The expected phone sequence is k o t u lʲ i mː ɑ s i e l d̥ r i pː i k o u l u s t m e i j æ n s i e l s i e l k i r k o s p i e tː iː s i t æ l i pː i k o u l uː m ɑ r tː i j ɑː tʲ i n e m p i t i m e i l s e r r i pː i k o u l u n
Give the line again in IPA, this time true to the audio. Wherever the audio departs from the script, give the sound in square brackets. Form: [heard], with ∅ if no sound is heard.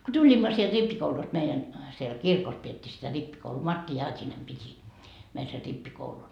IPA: k o t u lʲ i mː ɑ s i e l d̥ r i pː i k o u l u s t m e i j æ n s i e l s i e l k i r k o s p i e tː iː s i t æ [r] i pː i k o u l uː m ɑ r tː i j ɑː tʲ i n e m p i t i m e i l s e r r i pː i k o u l u n

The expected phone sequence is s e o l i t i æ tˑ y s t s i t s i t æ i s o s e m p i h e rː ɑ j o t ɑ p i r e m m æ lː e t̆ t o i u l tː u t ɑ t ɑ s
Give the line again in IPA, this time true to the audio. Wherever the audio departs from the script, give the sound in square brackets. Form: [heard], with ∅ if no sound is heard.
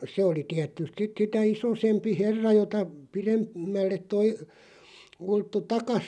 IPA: s e o l i t i æ tˑ y s t s i t s i t æ i s o s e m p i h e rː ɑ j o t ɑ p i r e m m æ lː e t̆ t o i u l tː u t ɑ [k] ɑ s

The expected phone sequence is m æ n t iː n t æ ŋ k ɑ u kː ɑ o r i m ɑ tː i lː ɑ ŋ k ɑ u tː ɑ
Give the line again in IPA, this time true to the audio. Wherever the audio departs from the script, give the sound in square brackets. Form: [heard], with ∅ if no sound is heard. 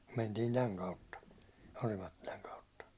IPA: m [e] n t iː n t æ ŋ k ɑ u [tː] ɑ o r i m ɑ tː i [l] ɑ ŋ k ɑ u tː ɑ

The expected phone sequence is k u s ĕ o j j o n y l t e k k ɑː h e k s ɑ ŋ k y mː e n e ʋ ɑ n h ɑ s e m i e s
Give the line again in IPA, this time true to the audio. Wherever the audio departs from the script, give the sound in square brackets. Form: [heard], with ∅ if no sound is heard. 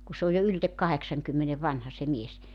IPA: k u s ĕ o j j o [∅] y l t e k k [ɑ] h e k s ɑ ŋ k y mː e n e ʋ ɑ n h ɑ s e m i e s

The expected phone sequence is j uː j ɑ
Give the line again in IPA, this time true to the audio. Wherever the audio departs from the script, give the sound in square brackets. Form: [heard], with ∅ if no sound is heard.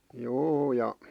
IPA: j uː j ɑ

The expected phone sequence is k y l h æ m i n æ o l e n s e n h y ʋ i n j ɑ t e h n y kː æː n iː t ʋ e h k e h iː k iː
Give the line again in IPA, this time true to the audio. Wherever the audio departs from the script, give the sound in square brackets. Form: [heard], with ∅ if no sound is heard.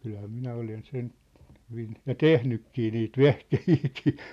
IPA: k y l h æ m i n æ o l e n s e n h y ʋ i n j ɑ t e h n y kː [iː] n iː t ʋ e h k e h iː k iː

